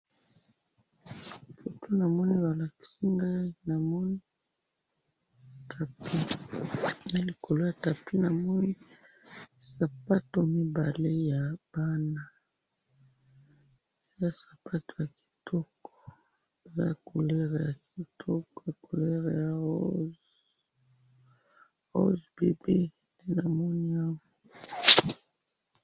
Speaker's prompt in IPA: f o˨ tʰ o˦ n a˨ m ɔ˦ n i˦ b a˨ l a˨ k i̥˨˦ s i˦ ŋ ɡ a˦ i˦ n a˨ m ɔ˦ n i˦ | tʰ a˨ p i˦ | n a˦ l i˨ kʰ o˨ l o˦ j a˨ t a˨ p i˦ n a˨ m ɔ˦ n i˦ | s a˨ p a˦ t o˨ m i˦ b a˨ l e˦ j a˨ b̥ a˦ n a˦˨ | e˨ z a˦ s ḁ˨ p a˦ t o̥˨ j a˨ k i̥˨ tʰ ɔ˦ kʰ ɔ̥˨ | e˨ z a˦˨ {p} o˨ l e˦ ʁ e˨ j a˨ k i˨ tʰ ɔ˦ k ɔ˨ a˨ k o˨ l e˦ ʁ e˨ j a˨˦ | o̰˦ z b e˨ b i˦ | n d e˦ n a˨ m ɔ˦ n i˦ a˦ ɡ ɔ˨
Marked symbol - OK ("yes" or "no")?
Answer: no